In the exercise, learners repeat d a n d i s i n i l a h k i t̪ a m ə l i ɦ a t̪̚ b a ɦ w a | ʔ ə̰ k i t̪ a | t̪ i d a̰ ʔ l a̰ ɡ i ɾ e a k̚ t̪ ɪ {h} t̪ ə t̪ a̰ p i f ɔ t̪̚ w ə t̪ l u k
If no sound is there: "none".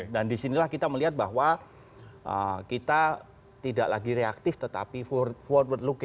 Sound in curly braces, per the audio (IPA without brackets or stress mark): f